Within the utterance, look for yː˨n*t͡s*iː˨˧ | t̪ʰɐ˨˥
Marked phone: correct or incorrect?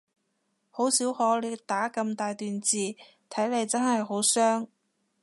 correct